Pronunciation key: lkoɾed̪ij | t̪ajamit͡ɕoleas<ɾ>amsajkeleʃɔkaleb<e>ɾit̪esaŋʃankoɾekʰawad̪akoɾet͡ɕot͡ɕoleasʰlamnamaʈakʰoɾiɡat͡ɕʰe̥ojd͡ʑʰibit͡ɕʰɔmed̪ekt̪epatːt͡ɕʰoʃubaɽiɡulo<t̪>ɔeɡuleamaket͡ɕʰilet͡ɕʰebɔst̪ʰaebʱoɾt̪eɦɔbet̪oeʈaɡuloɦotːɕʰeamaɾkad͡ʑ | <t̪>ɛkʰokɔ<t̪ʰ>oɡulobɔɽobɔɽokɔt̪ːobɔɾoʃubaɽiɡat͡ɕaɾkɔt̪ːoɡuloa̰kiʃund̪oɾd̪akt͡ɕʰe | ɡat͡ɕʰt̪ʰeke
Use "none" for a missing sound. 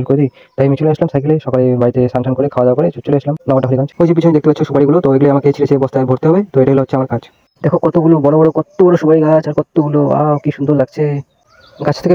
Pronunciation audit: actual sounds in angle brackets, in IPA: l, a, t̪, d̪, t̪

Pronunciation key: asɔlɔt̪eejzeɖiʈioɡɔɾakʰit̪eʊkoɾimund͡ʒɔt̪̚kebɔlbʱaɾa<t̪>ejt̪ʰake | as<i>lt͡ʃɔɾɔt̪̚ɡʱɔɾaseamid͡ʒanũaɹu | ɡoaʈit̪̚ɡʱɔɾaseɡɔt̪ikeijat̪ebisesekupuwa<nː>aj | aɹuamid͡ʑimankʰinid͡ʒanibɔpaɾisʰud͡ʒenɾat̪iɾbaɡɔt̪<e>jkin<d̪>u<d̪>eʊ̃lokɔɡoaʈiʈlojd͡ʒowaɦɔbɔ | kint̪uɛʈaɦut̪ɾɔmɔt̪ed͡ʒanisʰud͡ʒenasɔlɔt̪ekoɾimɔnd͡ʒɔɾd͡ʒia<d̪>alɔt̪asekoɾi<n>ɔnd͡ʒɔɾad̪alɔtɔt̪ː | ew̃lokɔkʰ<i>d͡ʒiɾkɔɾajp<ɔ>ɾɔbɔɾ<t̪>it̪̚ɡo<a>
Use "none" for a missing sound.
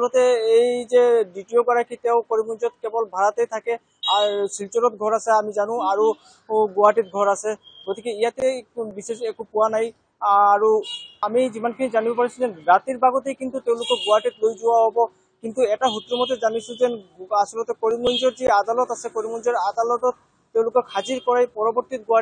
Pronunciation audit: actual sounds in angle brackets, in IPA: t̪, i, n, e, t̪, t̪, d̪, m, a, ɔ, t̪, a

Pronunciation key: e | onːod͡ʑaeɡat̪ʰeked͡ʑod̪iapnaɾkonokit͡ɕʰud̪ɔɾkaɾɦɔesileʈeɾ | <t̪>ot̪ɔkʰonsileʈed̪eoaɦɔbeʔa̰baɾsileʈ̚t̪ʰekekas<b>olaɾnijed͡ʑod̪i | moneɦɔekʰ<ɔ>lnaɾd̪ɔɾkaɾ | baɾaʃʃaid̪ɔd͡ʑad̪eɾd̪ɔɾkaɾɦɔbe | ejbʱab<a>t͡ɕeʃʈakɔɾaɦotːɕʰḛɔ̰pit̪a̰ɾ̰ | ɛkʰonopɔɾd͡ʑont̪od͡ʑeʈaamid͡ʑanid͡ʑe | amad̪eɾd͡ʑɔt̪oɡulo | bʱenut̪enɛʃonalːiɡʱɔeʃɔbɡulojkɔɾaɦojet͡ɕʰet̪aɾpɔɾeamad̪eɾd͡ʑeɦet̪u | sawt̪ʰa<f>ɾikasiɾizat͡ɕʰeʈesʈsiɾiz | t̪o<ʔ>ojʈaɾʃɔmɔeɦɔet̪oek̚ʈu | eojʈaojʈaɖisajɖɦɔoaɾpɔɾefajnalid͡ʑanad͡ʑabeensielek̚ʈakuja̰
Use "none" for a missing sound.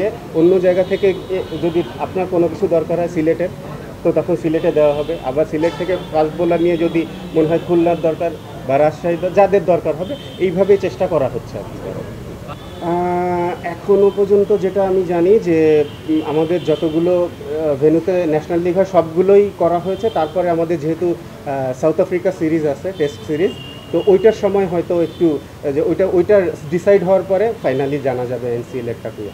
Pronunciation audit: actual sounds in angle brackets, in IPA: t̪, b, u, e, f, ʔ

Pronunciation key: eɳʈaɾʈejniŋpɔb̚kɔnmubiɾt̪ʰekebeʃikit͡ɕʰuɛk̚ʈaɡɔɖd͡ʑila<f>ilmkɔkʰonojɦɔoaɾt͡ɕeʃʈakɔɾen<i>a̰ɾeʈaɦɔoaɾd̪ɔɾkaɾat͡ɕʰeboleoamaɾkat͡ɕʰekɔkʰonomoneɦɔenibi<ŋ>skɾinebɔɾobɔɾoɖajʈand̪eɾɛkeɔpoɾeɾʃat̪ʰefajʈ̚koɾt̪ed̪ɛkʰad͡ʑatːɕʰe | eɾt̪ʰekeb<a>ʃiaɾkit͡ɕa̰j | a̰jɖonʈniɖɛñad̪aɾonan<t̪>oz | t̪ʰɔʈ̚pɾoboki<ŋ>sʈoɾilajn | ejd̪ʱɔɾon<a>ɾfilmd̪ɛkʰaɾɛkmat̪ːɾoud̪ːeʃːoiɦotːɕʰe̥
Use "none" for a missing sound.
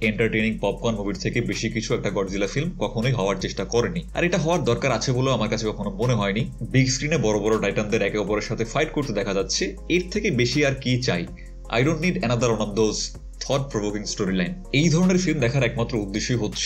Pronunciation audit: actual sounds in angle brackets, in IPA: f, i, ɡ, e, d̪, ŋ, e

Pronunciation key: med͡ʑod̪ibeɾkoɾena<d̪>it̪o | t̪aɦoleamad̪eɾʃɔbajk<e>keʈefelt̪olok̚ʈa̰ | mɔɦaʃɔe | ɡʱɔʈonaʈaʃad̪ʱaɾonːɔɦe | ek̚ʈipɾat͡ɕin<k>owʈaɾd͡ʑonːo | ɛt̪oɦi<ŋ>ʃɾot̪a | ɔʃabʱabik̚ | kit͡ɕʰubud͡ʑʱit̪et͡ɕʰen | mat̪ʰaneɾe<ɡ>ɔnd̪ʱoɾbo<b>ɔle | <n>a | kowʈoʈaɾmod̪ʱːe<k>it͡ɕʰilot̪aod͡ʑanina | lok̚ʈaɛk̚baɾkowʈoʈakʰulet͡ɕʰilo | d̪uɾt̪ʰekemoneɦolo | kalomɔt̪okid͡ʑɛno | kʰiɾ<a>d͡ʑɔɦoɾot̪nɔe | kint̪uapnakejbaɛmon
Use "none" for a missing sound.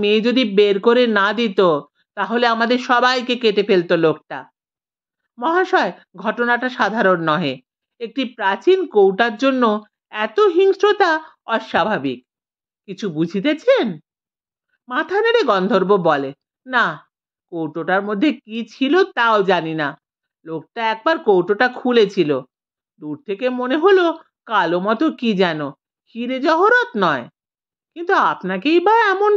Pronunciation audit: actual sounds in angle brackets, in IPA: d̪, e, k, ŋ, ɡ, b, n, k, e

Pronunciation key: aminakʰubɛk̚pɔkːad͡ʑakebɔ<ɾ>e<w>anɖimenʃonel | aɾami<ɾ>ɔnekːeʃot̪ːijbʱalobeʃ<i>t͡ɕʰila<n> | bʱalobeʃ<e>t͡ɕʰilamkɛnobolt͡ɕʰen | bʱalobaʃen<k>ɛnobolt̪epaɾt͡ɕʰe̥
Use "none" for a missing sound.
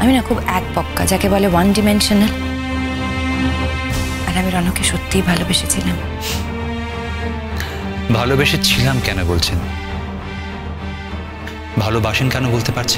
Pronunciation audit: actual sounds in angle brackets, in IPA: l, w, ɾ, e, m, e, k

